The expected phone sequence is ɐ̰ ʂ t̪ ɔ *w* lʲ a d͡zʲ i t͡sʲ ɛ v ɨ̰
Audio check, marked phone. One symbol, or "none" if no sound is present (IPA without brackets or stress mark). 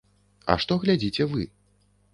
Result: ɣ